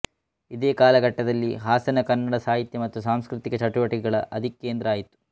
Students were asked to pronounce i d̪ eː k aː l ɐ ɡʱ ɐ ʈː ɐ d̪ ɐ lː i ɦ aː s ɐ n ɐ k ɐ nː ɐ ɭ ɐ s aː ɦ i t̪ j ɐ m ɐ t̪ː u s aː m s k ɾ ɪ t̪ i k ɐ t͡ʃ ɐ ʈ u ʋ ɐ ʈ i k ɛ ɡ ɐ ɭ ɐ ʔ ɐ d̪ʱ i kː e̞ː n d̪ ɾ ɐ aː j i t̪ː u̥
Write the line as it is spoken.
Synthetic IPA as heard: i d̪ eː k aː l ɐ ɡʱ ɐ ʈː ɐ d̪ ɐ lː i ɦ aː s ɐ n ɐ k ɐ nː ɐ ɽ ɐ s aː ɦ i t̪ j ɐ m ɐ t̪ː u s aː m s k ɾ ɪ t̪ i k ɐ t͡ʃ ɐ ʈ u ʋ ɐ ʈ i k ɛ ɡ ɐ ɭ ɐ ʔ ɐ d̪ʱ i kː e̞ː n d̪ ɾ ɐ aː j i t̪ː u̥